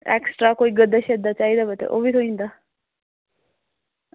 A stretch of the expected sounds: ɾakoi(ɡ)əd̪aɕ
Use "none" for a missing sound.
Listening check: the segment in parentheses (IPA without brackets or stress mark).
ɡ